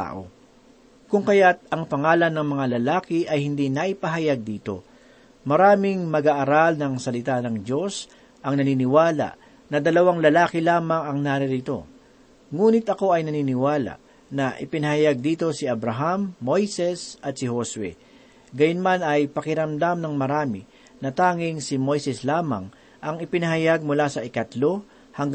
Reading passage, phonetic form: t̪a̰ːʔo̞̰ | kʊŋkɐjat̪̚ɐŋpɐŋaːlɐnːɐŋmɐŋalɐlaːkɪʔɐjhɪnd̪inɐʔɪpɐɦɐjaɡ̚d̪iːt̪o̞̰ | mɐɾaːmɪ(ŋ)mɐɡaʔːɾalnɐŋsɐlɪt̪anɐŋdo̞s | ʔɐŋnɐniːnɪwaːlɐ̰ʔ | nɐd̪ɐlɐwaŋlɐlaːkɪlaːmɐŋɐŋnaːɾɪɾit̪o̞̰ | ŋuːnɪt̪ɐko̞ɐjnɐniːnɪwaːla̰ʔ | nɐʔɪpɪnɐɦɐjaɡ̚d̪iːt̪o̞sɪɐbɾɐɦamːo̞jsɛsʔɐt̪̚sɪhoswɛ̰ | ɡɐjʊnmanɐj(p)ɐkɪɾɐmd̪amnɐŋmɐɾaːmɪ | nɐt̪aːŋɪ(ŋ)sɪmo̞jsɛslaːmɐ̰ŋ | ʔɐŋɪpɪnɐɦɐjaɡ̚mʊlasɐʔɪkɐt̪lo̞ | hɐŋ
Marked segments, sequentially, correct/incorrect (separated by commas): correct, correct, correct